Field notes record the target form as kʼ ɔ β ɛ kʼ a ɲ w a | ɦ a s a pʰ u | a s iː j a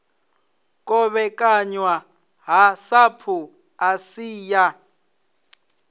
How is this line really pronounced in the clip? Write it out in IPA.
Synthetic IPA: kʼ ɔ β ɛ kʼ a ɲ w a | ɦ a s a pʰ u | a s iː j a

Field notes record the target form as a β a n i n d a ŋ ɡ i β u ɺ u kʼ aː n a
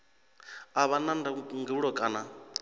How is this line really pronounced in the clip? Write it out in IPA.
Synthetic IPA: a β a n a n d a ŋ ɡ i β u ɺ ɔ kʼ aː n a

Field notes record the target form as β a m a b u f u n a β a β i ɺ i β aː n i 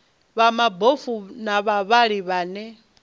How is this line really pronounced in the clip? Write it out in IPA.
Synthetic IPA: β a m a b o f u n a β a β a ɺ i β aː n ɛ

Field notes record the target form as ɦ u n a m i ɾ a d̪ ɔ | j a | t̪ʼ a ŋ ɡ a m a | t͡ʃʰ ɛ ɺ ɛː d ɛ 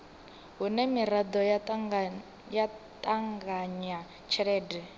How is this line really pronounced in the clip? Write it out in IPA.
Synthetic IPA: ɦ u n ɛ m i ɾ a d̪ ɔ | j a | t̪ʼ a ŋ ɡ a ɲ a | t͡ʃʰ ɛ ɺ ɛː d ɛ

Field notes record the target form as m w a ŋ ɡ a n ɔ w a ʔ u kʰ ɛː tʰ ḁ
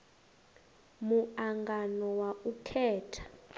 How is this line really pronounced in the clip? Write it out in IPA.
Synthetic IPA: m u a ŋ ɡ a n ɔ w a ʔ u kʰ ɛː tʰ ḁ

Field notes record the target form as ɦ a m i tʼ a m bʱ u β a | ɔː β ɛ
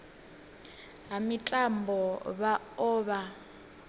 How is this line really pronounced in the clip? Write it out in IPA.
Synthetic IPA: ɦ a m i tʼ a m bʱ ɔ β a | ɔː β a

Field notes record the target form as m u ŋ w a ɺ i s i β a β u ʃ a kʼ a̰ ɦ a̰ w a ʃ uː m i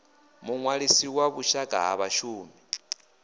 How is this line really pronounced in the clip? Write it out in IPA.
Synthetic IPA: m u ŋ w a ɺ i s i w a β u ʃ a kʼ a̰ ɦ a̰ β a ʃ uː m i

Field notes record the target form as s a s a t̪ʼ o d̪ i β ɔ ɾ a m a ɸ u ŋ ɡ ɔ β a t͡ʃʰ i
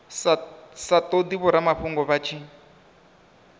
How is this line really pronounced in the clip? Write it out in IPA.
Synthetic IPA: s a s a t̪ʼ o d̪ i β ɔ ɾ a m a ɸ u ŋ ɡ ɔ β a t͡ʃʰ i

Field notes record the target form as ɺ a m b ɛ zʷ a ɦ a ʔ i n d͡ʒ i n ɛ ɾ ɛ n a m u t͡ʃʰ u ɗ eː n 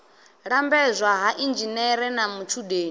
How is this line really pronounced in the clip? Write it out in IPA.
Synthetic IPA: ɺ a m b ɛ zʷ a ɦ a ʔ i n d͡ʒ i n ɛ ɾ ɛ n a m u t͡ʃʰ u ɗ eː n

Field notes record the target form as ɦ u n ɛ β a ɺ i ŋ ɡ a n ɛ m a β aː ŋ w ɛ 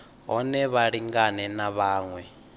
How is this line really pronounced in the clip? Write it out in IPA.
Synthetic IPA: ɦ ɔ n ɛ β a ɺ i ŋ ɡ a n ɛ n a β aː ŋ w ɛ

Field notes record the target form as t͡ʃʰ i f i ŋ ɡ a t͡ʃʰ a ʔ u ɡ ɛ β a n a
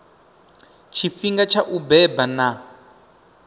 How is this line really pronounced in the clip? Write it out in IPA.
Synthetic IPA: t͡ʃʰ i f i ŋ ɡ a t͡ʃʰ a ʔ u b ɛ b a n a

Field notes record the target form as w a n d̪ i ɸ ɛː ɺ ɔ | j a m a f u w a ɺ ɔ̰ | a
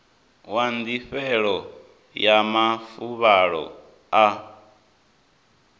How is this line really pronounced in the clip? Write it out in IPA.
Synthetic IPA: w a n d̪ i ɸ ɛ ɺ ɔ | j a m a f u β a ɺ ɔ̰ | a

